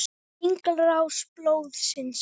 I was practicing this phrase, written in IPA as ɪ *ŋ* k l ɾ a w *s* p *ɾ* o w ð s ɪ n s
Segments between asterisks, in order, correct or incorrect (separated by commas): correct, correct, incorrect